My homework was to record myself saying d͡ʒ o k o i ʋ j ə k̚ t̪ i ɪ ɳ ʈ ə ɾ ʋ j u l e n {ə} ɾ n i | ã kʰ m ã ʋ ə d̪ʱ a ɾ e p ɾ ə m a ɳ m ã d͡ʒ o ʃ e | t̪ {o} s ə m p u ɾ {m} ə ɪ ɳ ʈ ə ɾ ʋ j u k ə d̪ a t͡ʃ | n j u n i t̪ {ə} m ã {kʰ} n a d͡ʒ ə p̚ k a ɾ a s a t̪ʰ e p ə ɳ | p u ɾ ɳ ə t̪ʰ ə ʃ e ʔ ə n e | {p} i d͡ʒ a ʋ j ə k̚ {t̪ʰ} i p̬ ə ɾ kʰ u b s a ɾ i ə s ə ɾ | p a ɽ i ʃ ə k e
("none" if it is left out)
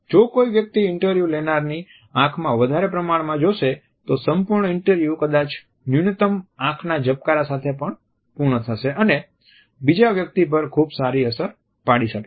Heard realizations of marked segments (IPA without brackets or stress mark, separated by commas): a, o, ɳ, ə, kʰ, b, t̪